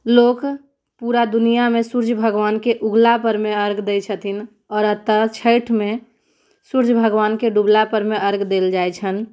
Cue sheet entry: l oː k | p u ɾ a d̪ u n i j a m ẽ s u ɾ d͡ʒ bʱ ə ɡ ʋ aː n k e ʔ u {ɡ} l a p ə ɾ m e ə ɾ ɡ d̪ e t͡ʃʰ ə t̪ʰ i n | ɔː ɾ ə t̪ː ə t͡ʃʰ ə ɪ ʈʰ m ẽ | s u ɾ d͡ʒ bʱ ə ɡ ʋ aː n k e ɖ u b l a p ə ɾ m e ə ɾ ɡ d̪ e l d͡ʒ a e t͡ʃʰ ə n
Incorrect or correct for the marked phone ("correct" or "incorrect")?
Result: correct